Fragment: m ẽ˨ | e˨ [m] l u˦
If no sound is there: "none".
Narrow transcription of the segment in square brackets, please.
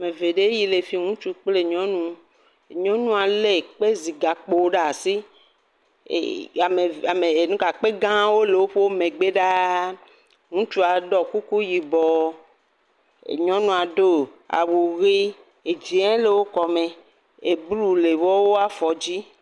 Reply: b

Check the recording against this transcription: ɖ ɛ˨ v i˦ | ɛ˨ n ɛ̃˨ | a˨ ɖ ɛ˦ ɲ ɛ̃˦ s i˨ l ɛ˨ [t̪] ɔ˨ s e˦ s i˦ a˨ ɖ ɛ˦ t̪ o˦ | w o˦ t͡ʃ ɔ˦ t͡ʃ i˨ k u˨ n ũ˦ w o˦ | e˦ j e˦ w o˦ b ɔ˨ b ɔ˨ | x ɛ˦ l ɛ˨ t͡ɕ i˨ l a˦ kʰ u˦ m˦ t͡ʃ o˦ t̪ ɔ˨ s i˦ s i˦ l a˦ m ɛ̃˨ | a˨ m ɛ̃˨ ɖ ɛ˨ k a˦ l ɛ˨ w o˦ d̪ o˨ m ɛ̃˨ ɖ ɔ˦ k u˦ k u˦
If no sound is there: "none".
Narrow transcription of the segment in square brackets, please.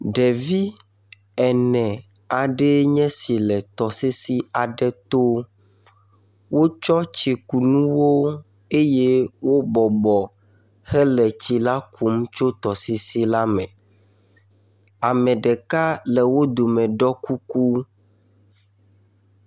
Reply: t̪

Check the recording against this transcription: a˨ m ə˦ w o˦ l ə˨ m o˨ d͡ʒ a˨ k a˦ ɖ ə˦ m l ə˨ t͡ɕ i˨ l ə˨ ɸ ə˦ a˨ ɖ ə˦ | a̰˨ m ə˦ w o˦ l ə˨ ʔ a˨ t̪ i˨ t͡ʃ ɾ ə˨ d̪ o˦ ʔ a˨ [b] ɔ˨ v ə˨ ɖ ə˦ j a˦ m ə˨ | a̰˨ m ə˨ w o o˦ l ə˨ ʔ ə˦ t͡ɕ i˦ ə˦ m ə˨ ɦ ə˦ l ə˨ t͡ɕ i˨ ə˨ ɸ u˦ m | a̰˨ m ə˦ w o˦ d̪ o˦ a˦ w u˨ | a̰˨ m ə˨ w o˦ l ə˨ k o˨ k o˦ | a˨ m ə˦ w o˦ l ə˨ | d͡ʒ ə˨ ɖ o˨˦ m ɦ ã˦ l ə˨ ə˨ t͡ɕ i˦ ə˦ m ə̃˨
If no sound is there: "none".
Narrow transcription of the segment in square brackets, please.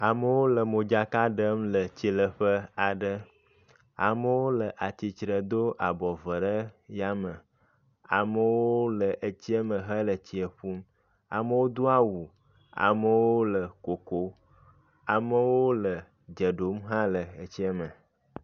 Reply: b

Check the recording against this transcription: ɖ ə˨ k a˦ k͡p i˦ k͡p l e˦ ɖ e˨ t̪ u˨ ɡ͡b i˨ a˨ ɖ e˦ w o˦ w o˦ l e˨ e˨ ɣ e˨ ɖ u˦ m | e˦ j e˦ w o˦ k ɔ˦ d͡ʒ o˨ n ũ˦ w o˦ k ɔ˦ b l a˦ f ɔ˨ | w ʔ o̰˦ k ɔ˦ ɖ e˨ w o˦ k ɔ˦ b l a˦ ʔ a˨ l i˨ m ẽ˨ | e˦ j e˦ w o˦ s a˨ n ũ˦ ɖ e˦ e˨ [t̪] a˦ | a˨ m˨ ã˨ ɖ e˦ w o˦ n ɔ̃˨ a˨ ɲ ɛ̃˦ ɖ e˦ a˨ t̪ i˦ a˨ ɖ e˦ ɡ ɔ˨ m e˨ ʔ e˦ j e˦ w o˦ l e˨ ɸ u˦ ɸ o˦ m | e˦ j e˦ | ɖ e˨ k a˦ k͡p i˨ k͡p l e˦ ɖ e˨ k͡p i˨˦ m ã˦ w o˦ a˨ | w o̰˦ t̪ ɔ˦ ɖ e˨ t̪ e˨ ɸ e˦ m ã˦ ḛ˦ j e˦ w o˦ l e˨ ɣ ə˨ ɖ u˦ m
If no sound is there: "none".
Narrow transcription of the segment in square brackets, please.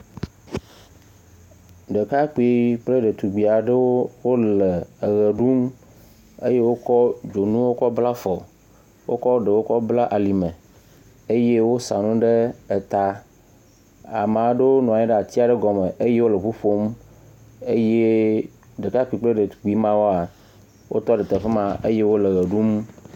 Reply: t̪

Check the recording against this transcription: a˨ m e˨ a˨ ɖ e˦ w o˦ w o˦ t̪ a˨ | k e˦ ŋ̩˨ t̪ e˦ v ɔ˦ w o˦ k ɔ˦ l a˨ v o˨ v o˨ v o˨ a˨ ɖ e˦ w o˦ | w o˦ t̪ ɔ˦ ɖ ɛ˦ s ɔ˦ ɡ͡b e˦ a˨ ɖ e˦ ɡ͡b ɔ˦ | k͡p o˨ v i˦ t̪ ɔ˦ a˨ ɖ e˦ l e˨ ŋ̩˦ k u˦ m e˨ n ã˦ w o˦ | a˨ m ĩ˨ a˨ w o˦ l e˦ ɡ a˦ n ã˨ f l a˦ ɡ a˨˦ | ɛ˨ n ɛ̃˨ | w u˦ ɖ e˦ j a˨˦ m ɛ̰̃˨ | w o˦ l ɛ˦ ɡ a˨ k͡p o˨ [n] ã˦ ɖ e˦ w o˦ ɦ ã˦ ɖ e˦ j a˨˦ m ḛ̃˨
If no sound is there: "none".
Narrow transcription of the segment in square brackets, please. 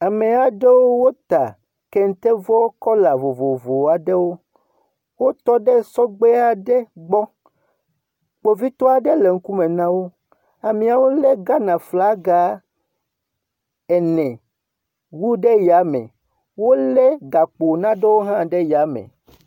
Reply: n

